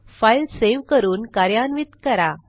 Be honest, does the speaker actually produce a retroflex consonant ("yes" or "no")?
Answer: no